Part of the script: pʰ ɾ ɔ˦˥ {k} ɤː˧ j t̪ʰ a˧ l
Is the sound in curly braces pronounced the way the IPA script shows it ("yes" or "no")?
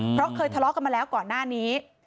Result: no